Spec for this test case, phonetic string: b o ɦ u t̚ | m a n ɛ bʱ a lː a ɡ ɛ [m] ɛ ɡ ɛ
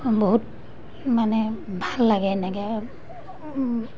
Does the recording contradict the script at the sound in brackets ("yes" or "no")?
yes